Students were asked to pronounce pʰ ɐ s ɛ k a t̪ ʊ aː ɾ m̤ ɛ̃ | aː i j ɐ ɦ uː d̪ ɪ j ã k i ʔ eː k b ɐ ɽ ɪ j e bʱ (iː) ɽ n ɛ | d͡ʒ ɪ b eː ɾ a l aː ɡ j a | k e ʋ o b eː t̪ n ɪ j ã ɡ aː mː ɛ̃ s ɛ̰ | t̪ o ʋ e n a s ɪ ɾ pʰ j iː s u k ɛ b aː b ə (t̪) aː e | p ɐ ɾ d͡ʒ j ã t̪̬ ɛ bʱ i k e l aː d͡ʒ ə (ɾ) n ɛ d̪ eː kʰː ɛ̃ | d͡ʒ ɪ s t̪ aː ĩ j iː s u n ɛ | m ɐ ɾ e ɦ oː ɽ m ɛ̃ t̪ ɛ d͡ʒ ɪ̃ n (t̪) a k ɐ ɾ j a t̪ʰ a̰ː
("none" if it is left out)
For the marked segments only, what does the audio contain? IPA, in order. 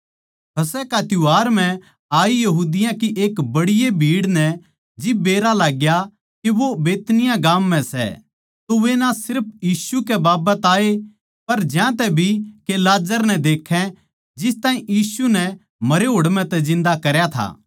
iː, t̪, ɾ, d̪

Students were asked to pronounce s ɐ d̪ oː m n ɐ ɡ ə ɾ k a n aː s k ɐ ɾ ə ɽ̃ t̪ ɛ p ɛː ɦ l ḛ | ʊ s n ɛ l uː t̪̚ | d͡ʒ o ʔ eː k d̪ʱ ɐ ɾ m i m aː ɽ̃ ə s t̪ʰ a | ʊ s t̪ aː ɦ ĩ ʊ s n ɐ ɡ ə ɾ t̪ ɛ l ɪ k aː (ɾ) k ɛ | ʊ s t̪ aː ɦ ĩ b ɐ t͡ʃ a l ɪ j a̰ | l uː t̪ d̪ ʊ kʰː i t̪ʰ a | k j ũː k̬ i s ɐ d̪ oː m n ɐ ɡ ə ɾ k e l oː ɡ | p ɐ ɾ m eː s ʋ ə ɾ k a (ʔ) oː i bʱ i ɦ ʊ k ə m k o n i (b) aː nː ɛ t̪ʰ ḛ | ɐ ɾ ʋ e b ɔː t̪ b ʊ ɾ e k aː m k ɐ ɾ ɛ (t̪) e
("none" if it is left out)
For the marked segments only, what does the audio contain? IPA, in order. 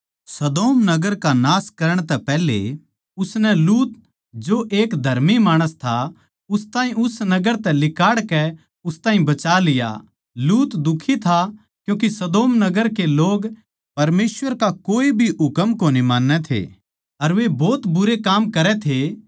ɽ, k, m, t̪ʰ

